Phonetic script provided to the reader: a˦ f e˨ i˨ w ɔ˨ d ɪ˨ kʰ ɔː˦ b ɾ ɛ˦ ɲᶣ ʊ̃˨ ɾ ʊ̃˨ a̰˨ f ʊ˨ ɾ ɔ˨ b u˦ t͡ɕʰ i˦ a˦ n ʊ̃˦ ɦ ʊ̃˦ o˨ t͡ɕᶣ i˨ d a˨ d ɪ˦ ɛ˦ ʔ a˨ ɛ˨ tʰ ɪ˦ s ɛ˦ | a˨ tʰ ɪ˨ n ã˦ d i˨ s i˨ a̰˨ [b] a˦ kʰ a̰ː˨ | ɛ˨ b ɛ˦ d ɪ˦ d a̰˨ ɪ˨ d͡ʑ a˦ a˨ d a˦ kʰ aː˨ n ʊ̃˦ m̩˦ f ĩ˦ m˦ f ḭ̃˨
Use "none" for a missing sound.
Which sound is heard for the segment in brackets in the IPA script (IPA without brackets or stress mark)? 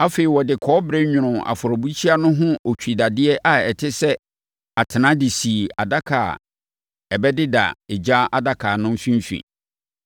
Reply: d